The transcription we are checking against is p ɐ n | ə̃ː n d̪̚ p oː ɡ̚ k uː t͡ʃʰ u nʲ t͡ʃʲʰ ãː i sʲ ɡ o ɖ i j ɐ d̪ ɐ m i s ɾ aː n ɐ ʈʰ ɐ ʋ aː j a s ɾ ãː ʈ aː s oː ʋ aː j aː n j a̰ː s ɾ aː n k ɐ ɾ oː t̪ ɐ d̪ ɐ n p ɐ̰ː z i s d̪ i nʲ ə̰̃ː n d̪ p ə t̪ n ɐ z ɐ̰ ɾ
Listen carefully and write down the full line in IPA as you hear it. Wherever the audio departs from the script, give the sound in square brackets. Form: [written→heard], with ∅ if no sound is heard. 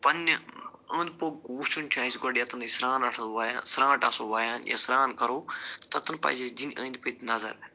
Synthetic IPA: p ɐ n | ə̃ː n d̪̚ p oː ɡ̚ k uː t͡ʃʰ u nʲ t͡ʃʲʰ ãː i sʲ ɡ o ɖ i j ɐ [d̪→t̪] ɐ [m→n] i s ɾ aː n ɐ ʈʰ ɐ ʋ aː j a s ɾ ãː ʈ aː s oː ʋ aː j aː n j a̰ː s ɾ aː n k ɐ ɾ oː t̪ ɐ [d̪→t̪] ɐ n p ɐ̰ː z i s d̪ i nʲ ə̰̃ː n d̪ p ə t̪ n ɐ z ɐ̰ ɾ